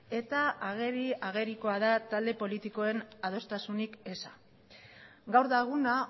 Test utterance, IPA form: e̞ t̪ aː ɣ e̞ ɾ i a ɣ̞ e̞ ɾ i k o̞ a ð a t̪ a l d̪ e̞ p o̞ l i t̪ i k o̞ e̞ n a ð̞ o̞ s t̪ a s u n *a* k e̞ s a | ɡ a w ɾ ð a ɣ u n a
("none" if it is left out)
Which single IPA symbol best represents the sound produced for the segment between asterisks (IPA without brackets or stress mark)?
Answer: i